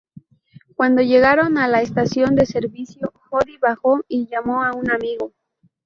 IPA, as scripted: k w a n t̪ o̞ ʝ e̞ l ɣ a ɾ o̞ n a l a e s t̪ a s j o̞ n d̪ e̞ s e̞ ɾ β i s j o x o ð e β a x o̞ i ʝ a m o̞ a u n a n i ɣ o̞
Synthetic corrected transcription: k w a n d̪ o̞ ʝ e̞ ɣ a ɾ o̞ n a l a e s t̪ a s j o̞ n d̪ e̞ s e̞ ɾ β i s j o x o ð i β a x o̞ i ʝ a m o̞ a u n a m i ɣ o̞